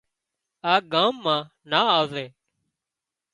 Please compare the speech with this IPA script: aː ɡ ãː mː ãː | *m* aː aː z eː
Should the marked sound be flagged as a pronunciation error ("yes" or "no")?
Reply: yes